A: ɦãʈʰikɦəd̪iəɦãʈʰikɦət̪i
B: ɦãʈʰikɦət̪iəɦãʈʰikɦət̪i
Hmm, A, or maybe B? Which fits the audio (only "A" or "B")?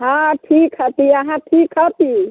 B